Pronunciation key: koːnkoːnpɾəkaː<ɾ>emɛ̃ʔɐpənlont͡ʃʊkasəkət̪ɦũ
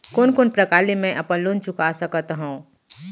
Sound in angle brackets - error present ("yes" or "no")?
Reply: yes